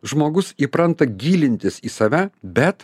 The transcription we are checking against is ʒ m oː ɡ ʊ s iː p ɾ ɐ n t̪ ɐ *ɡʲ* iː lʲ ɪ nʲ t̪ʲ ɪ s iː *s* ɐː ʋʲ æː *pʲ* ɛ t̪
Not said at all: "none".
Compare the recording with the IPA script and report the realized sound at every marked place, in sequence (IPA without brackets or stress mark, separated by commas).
ɡʲ, s, bʲ